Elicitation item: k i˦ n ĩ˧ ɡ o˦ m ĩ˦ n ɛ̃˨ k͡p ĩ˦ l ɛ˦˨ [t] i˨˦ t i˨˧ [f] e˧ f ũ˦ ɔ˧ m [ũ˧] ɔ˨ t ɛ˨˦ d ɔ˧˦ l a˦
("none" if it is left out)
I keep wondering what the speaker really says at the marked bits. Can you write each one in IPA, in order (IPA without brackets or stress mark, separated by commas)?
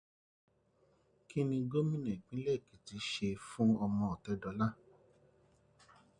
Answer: k, ʃ, ɔ̃˧